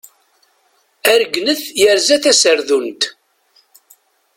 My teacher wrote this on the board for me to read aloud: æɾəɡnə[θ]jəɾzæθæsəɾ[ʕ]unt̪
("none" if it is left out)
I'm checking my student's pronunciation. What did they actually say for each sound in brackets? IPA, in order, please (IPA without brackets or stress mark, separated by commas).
θ, ð